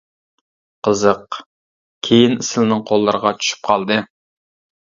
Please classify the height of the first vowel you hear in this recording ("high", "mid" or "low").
mid